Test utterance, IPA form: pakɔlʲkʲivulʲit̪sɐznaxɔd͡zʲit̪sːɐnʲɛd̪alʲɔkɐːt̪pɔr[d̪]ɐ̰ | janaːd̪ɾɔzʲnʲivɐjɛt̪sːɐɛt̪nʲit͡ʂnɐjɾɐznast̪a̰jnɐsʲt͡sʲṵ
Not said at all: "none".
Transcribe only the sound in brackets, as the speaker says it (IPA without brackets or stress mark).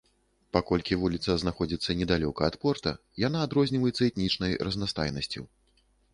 t̪